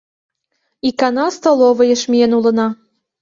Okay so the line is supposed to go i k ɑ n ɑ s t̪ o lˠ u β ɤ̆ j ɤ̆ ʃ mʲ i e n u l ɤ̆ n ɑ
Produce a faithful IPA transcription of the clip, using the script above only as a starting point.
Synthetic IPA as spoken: i k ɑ n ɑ s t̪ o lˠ o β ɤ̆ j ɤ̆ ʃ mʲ i e n u l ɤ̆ n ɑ